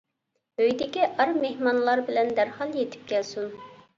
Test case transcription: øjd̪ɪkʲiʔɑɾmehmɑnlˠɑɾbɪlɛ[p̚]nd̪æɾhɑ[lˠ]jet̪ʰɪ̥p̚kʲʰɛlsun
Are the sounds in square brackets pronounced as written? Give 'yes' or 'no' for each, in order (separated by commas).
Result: no, yes